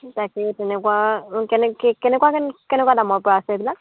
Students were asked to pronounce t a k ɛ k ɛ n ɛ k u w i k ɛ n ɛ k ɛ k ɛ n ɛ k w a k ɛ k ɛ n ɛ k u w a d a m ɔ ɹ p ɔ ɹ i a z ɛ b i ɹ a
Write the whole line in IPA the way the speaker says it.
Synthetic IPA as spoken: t a k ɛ t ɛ n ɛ k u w a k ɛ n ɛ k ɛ k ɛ n ɛ k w a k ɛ k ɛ n ɛ k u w a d a m ɔ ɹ p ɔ ɹ a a s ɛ b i l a